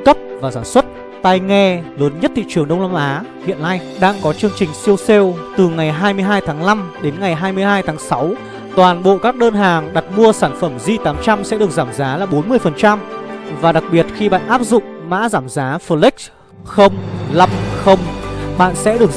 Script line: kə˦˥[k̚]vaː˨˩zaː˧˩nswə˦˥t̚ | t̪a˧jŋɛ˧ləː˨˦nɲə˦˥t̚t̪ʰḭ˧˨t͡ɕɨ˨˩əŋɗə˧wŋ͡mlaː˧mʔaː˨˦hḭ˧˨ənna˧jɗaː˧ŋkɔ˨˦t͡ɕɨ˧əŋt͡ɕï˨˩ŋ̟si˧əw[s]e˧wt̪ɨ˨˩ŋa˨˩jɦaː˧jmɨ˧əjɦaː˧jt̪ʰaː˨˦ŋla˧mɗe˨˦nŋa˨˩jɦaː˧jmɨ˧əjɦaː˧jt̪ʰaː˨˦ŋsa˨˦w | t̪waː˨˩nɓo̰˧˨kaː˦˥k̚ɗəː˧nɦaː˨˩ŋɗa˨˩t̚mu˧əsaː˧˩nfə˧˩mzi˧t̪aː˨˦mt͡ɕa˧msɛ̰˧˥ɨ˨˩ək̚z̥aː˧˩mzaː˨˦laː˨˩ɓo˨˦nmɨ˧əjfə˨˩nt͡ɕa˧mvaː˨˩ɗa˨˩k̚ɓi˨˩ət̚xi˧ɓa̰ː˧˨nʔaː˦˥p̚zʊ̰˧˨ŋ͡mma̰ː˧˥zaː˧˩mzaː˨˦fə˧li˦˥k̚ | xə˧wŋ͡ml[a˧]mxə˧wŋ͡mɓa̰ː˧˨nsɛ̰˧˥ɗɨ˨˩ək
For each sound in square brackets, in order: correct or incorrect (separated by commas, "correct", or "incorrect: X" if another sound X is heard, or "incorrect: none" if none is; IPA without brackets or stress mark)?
incorrect: p̚, correct, correct